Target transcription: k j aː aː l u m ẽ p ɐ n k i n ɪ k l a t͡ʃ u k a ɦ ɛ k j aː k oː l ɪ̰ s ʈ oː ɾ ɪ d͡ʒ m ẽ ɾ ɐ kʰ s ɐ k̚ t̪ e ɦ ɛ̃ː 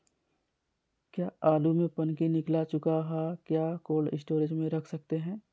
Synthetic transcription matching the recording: k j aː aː l u m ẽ p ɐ n k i n ɪ k l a t͡ʃ ʊ k a ɦ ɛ k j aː k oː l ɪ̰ s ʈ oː ɾ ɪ d͡ʒ m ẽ ɾ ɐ kʰ s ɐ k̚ t̪ e ɦ ɛ̃ː